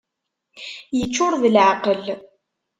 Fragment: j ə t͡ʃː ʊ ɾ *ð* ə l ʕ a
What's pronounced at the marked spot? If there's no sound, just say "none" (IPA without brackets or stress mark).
ð